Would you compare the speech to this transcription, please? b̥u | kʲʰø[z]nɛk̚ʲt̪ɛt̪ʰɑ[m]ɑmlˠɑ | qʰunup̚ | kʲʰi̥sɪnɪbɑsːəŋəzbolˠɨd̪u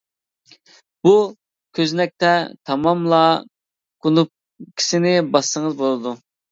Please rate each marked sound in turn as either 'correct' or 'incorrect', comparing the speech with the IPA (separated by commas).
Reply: correct, correct